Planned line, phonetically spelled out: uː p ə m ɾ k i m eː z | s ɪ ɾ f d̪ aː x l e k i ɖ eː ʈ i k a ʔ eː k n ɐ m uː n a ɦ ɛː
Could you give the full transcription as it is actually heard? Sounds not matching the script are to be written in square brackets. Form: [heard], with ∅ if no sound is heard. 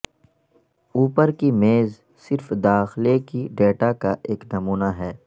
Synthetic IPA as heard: uː p ə [∅] ɾ k i m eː z | s ɪ ɾ f d̪ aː x l e k i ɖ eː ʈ [a] k a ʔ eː k n ɐ m uː n a ɦ ɛː